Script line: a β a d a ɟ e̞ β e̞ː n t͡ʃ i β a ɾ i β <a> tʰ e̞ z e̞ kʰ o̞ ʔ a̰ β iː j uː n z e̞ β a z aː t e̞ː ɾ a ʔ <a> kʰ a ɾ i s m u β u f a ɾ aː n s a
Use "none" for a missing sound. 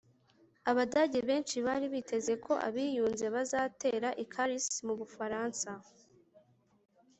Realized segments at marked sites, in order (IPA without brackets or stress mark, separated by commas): i, i